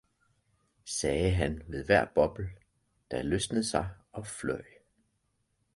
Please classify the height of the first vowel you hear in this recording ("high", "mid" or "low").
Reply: mid